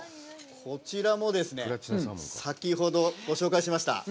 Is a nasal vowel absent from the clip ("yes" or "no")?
yes